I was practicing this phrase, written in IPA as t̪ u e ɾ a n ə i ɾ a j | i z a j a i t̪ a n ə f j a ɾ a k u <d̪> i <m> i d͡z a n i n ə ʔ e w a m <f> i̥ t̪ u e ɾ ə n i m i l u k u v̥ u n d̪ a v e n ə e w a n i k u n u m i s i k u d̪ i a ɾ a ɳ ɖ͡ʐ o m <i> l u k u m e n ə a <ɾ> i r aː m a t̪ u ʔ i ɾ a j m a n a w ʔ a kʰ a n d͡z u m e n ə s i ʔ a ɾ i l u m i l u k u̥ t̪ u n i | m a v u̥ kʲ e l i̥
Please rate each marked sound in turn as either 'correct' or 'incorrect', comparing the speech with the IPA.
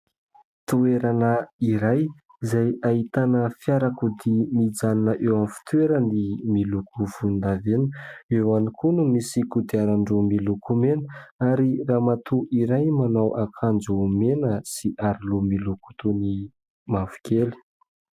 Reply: correct, correct, correct, correct, correct

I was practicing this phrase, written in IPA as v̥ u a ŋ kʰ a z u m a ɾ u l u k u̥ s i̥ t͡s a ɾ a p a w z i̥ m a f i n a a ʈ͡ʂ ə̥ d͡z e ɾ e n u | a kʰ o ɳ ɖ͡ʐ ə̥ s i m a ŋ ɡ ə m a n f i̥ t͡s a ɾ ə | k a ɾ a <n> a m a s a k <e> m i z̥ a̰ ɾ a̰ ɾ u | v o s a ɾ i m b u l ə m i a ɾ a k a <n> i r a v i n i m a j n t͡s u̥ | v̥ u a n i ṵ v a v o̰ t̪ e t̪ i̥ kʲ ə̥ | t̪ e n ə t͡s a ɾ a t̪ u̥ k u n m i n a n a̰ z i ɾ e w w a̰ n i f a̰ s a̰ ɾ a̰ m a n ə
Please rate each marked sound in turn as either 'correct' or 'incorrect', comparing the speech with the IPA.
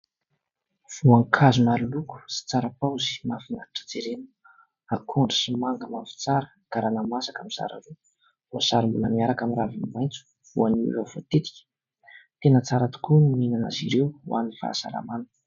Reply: correct, incorrect: a, incorrect: m

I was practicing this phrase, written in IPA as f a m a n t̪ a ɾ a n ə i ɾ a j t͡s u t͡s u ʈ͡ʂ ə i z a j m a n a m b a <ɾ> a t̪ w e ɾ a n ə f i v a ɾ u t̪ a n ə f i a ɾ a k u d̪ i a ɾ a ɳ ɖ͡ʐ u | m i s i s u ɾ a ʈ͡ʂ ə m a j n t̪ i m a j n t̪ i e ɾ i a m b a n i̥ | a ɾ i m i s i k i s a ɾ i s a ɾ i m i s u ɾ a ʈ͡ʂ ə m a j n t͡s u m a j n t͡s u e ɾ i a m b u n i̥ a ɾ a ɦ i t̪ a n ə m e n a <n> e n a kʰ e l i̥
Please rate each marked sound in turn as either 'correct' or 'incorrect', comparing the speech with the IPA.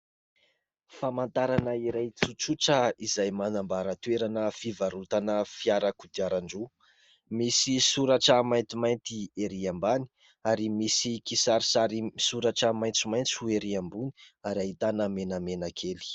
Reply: correct, incorrect: m

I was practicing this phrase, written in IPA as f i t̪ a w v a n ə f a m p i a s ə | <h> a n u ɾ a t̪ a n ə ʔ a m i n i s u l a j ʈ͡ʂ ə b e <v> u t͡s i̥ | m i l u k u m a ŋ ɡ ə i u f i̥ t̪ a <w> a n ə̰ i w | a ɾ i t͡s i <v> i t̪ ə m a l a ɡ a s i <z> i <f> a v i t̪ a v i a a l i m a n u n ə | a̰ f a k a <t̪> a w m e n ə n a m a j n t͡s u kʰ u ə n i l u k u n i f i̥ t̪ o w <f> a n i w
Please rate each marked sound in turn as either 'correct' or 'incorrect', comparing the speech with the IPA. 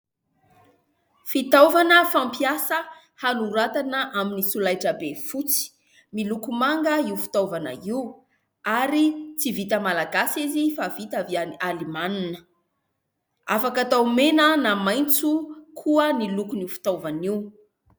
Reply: correct, incorrect: f, incorrect: v, correct, correct, correct, correct, incorrect: v

